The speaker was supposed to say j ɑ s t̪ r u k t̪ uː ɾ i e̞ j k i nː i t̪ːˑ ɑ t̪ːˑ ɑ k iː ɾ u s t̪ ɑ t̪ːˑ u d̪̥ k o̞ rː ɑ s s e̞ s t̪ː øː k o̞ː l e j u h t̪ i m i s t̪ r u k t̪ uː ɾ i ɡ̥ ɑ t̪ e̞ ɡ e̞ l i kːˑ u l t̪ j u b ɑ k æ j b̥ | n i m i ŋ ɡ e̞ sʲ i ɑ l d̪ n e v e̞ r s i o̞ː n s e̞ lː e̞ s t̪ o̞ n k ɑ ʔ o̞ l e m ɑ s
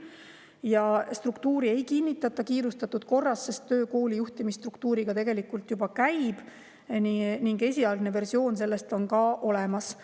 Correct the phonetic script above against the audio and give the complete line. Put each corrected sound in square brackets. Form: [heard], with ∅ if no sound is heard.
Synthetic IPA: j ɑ s t̪ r u k t̪ uː ɾ i e̞ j k i nː i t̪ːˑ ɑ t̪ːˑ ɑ k iː ɾ u s t̪ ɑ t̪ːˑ u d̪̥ k o̞ rː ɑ s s e̞ s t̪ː øː k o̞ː l [i] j u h t̪ i m i s t̪ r u k t̪ uː ɾ i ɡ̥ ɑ t̪ e̞ ɡ e̞ l i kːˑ u l t̪ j u b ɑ k æ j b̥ | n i [n] i ŋ ɡ e̞ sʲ i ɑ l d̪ n e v e̞ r s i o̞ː n s e̞ lː e̞ s t̪ o̞ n k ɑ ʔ o̞ l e m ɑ s